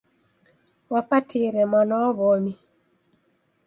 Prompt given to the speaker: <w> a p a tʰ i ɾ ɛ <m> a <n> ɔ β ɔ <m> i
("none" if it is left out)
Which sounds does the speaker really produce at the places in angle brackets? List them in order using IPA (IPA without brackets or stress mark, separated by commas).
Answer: w, m, n, m